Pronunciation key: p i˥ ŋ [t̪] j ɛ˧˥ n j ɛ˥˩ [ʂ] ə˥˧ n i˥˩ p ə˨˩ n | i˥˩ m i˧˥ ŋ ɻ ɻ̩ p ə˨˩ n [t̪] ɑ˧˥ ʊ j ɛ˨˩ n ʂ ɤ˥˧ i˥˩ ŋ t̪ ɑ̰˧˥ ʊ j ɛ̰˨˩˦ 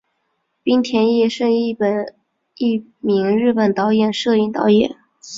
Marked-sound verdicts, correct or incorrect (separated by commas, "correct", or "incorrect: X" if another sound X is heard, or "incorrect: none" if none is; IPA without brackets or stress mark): incorrect: t̪ʰ, correct, correct